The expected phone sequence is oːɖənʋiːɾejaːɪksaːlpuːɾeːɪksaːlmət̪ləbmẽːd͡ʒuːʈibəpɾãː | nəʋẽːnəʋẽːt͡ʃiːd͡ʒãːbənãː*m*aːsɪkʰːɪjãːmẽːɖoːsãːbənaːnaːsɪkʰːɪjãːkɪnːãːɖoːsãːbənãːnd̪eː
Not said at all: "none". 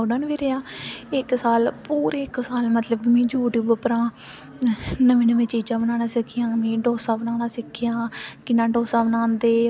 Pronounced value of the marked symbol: n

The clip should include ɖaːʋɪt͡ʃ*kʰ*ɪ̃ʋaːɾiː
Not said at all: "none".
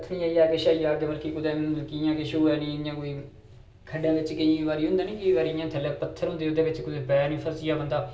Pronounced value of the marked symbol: k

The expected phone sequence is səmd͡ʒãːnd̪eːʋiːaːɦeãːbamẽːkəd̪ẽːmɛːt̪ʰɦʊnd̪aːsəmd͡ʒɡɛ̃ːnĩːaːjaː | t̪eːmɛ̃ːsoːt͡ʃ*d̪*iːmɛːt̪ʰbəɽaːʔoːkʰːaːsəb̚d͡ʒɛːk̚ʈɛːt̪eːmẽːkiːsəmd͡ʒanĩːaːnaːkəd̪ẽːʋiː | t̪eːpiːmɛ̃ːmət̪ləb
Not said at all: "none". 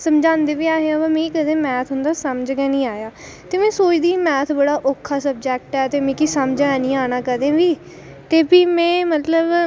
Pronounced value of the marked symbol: d̪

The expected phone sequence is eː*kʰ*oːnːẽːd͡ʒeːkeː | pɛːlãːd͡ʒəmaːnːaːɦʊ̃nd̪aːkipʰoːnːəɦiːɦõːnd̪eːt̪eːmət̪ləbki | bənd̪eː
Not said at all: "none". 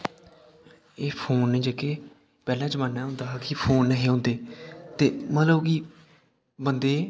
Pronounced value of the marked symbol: pʰ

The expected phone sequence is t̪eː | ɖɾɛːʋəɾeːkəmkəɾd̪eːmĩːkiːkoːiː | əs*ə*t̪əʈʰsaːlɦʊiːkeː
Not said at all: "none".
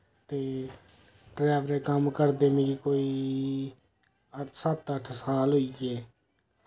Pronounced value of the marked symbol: ə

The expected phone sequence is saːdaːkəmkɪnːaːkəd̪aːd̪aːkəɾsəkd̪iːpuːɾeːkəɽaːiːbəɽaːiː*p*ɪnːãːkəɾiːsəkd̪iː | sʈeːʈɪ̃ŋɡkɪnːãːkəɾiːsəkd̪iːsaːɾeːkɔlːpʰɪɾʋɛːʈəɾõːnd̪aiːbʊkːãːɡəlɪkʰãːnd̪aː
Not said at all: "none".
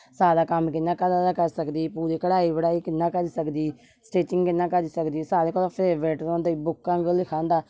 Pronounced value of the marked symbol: k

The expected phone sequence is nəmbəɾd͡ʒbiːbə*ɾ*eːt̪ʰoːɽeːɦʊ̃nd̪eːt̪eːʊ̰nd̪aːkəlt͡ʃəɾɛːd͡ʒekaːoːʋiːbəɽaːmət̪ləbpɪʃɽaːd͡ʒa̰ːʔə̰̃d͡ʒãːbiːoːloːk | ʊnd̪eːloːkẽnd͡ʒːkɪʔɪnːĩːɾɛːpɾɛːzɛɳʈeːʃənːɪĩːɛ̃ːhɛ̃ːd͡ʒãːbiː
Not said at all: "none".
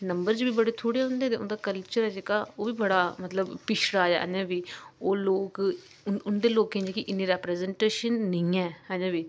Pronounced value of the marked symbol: ɽ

